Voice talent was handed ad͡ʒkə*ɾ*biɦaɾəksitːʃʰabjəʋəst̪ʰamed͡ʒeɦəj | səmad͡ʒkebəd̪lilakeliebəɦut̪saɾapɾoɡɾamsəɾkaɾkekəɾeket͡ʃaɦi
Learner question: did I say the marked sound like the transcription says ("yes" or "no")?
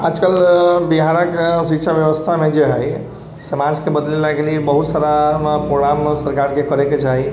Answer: no